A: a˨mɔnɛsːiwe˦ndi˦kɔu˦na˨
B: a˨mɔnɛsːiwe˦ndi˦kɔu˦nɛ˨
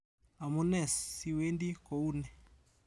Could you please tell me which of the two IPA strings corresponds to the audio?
B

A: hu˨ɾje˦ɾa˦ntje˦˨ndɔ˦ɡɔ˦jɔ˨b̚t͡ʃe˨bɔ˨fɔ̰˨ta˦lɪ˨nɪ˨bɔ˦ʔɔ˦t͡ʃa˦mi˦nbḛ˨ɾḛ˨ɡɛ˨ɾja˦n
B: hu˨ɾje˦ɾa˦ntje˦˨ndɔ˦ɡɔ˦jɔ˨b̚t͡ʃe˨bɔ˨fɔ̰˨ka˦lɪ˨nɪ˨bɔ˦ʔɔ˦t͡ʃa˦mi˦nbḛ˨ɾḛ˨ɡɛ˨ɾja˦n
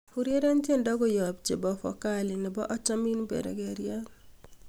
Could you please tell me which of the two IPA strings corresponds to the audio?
B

